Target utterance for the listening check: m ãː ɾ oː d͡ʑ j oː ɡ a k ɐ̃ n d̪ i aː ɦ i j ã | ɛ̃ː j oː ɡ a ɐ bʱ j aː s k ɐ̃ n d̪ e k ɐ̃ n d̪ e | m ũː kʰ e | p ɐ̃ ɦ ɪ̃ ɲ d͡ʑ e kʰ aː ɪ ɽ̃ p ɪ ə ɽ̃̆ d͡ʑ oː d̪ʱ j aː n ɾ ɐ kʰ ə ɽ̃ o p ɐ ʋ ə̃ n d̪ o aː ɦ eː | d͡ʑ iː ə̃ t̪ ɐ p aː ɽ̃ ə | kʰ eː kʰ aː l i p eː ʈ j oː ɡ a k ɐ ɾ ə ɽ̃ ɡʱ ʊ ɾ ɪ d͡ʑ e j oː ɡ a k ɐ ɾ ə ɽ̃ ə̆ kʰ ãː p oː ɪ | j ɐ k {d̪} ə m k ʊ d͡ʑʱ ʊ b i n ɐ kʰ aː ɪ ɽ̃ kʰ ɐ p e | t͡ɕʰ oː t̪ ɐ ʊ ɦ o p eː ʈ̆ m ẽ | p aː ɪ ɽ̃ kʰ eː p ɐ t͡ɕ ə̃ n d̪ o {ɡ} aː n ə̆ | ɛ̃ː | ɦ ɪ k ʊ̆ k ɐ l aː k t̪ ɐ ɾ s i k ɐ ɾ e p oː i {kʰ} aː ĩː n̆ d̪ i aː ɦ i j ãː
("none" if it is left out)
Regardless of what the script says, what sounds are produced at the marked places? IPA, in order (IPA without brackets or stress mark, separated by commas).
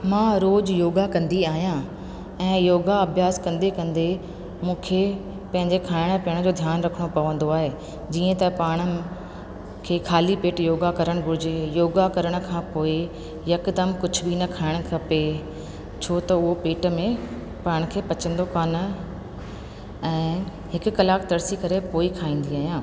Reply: d̪, k, kʰ